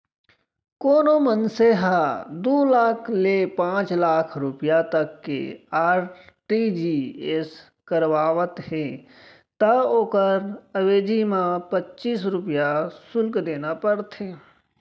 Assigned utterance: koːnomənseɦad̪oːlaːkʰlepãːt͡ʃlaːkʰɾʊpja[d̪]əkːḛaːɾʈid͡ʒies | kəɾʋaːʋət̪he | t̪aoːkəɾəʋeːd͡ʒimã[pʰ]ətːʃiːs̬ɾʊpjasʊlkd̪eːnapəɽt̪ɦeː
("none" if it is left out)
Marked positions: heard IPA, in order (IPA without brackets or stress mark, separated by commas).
t̪, p